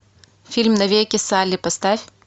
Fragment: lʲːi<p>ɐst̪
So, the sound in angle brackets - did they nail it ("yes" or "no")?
yes